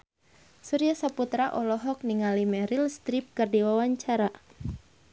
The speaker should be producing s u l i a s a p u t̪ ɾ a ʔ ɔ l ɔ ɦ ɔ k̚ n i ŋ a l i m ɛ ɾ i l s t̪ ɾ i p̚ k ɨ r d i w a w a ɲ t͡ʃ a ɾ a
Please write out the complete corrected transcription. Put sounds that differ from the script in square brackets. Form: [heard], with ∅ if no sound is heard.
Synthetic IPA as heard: s u [ɾ] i a s a p u t̪ ɾ a ʔ ɔ l ɔ ɦ ɔ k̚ n i ŋ a l i m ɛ ɾ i l s t̪ ɾ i p̚ k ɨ r d i w a w a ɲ t͡ʃ a ɾ a